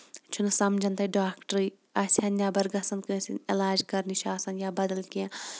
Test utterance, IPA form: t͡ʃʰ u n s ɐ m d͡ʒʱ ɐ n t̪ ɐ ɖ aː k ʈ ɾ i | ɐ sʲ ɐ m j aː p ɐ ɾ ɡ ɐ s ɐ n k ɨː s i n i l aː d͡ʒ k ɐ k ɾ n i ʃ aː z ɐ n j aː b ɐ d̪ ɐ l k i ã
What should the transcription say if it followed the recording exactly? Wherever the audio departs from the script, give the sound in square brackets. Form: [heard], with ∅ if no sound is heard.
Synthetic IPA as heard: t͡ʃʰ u n s ɐ m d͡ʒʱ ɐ n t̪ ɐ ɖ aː k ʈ ɾ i | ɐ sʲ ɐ [n] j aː [b] ɐ ɾ ɡ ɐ s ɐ n k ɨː s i n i l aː d͡ʒ k ɐ [∅] ɾ n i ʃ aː [s] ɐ n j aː b ɐ d̪ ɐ l k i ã